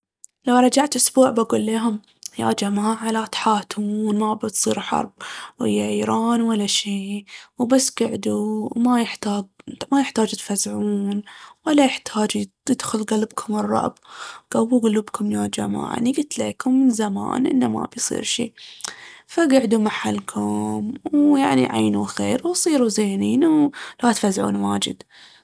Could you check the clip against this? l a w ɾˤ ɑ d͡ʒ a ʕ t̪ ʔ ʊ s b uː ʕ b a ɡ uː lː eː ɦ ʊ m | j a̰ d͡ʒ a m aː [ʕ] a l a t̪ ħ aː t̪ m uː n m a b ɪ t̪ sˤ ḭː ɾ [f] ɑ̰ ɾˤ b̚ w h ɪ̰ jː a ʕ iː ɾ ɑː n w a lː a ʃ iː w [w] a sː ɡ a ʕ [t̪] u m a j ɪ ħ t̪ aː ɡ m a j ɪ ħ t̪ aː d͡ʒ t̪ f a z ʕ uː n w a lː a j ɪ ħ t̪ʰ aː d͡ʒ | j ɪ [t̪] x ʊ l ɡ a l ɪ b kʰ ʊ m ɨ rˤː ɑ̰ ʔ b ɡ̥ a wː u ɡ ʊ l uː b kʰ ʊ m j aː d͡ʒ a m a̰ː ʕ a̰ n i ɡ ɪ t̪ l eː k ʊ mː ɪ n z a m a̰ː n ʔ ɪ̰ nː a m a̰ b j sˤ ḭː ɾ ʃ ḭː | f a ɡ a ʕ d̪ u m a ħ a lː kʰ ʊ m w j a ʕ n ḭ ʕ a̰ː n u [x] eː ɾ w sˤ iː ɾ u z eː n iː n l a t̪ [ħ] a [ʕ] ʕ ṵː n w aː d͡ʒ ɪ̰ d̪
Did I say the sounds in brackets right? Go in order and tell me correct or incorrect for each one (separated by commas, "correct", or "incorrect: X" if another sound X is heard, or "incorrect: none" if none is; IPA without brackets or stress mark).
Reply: correct, incorrect: ħ, incorrect: b, incorrect: d̪, incorrect: d̪, correct, incorrect: f, incorrect: z